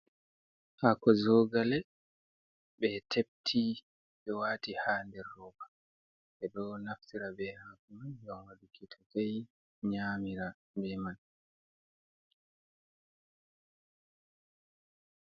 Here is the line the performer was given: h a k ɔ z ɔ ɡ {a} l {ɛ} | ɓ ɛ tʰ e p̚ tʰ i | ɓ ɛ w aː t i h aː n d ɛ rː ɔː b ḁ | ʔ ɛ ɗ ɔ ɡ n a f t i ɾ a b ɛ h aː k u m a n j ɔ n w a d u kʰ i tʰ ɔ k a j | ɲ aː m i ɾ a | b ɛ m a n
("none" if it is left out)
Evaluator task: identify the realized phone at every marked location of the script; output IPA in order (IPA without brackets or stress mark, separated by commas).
a, ɛ